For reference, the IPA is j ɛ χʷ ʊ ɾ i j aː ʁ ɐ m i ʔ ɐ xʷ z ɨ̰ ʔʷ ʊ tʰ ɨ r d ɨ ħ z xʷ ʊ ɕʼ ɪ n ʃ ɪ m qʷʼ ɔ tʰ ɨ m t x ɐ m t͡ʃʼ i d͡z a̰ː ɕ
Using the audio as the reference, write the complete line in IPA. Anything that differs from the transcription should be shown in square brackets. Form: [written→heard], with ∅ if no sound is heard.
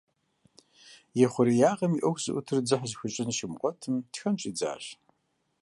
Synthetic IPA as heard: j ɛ χʷ ʊ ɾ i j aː ʁ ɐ m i ʔ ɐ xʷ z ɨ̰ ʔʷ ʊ tʰ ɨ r [d→d͡z] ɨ ħ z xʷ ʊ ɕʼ ɪ n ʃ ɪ m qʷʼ ɔ tʰ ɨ m t x ɐ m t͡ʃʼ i d͡z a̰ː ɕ